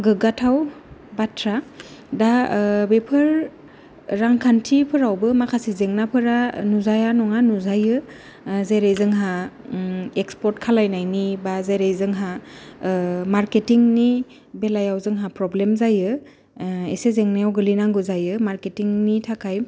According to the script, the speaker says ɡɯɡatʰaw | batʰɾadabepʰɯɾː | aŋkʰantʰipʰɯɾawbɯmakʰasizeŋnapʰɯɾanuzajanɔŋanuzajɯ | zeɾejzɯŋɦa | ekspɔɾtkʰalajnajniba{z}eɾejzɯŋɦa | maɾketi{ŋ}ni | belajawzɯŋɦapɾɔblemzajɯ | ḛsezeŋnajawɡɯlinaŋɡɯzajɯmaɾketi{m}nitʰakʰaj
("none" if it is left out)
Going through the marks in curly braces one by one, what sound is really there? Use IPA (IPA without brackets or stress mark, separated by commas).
z, ŋ, ŋ